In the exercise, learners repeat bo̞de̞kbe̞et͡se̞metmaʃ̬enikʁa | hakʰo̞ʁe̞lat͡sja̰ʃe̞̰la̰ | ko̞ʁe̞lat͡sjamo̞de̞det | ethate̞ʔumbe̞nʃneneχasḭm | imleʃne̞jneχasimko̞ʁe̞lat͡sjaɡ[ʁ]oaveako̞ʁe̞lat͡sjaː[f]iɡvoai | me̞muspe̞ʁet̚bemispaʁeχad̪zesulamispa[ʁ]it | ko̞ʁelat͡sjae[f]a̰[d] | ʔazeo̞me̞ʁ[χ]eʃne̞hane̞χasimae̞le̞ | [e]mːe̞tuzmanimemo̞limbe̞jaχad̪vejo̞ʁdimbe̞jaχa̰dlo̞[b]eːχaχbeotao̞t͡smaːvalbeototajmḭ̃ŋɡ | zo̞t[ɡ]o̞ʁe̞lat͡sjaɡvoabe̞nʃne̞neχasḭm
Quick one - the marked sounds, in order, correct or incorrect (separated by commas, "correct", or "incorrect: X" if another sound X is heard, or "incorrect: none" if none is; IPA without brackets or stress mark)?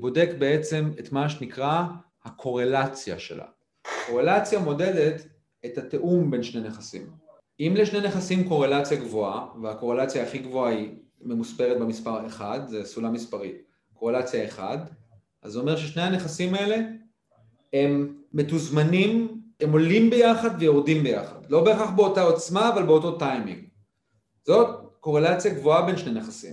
incorrect: v, incorrect: χ, correct, incorrect: χ, correct, incorrect: ʃ, correct, correct, incorrect: k